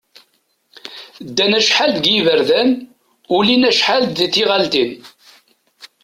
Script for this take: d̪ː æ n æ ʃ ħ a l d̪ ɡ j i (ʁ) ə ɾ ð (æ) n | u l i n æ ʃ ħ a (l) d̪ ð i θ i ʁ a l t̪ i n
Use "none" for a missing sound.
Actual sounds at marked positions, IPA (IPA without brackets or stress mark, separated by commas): v, æ, l